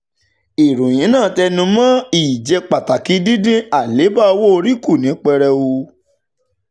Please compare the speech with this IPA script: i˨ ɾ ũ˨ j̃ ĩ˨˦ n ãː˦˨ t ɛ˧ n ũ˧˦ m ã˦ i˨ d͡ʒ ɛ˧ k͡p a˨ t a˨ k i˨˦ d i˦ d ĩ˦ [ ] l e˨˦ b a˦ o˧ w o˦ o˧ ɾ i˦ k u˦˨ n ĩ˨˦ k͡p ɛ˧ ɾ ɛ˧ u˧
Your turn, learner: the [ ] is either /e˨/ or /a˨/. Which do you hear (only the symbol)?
a˨